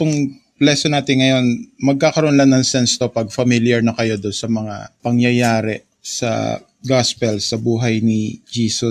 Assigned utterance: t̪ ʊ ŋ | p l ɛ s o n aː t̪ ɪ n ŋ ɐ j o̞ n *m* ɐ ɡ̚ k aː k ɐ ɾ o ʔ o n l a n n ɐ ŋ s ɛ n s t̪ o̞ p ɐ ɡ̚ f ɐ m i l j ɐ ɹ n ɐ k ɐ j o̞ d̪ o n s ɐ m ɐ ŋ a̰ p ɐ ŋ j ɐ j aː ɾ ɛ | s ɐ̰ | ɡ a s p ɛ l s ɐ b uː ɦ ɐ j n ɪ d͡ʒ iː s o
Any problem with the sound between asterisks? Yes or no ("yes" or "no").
no